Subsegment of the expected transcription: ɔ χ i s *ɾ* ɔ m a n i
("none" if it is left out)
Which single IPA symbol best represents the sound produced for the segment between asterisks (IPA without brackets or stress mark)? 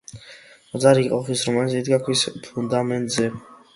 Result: ɾ